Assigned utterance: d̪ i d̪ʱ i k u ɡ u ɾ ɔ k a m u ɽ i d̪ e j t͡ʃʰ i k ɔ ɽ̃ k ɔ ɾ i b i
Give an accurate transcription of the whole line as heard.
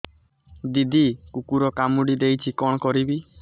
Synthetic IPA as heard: d̪ i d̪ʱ i k u k u ɾ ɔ k a m u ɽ i d̪ e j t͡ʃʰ i k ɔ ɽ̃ k ɔ ɾ i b i

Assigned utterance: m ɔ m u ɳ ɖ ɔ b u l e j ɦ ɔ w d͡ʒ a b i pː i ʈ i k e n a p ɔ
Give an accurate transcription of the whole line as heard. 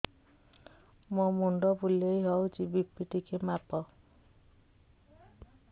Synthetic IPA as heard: m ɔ m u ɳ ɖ ɔ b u l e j ɦ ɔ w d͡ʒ i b i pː i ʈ i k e m a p ɔ

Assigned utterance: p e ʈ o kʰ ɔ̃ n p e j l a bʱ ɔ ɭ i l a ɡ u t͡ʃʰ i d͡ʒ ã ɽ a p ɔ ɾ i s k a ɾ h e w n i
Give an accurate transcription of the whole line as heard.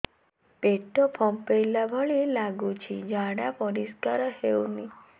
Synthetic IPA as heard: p e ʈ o pʰ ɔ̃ m p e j l a bʱ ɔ ɭ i l a ɡ u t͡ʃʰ i d͡ʒ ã ɽ a p ɔ ɾ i s k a ɾ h e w n i

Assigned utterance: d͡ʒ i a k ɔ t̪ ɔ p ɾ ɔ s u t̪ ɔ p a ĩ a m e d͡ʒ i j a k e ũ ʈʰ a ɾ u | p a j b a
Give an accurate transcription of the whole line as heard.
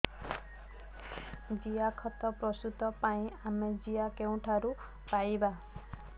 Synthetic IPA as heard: d͡ʒ i a kʰ ɔ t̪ ɔ p ɾ ɔ s u t̪ ɔ p a ĩ a m e d͡ʒ i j a k e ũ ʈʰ a ɾ u | p a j b a

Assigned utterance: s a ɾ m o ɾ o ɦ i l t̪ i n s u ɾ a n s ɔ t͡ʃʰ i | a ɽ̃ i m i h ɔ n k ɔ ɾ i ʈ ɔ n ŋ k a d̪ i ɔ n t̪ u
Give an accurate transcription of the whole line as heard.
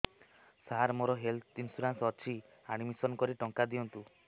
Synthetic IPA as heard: s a ɾ m o ɾ ɔ ɦ e l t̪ i n s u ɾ a n s ɔ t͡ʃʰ i | a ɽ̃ i m i s ɔ n k ɔ ɾ i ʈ ɔ ŋ k a d̪ i ɔ n t̪ u

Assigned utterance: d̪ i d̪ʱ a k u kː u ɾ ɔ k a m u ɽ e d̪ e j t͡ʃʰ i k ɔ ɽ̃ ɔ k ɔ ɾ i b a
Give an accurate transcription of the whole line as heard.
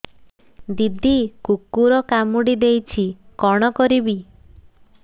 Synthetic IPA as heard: d̪ i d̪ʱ i k u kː u ɾ ɔ k a m u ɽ i d̪ e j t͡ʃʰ i k ɔ ɽ̃ ɔ k ɔ ɾ i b i

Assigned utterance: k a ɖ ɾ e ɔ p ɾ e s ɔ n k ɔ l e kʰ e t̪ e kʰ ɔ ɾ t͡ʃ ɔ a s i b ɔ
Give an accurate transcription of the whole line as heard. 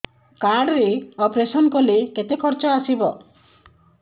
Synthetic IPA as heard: k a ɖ ɾ e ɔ p ɾ e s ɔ n k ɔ l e k e t̪ e kʰ ɔ ɾ t͡ʃ ɔ a s i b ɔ

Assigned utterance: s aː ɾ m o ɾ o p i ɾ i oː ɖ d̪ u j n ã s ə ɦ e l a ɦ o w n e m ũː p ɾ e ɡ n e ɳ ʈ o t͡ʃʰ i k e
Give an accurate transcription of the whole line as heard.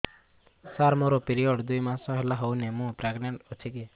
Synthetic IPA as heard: s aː ɾ m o ɾ o p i ɾ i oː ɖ d̪ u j m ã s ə ɦ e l a ɦ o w n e m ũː p ɾ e ɡ n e ɳ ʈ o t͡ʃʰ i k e

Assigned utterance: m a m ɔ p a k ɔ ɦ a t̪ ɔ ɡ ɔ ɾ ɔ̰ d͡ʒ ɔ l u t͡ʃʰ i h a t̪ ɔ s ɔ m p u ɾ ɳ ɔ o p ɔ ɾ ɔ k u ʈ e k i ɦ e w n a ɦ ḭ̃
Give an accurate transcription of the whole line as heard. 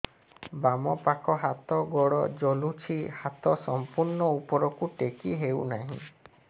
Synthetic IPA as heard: b a m ɔ p a k ɔ ɦ a t̪ ɔ ɡ ɔ ɽ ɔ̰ d͡ʒ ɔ l u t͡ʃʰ i h a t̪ ɔ s ɔ m p u ɾ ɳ ɔ u p ɔ ɾ ɔ k u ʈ e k i ɦ e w n a ɦ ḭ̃

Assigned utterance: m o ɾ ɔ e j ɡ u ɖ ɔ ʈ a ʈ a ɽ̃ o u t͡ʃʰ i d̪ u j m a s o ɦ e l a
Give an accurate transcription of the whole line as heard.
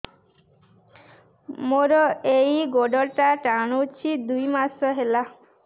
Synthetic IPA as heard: m o ɾ ɔ e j ɡ o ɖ ɔ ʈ a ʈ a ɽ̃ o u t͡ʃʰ i d̪ u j m a s ɔ ɦ e l a

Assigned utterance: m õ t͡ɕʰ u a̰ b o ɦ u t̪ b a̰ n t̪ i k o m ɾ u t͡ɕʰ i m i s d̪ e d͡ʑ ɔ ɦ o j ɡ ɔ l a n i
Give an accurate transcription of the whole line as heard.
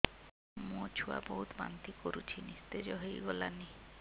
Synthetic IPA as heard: m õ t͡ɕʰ u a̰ b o ɦ u t̪ b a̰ n t̪ i k o ɾ u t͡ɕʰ i n i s t̪ e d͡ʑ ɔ ɦ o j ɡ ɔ l a n i

